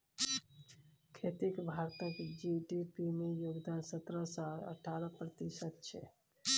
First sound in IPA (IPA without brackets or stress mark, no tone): kʰ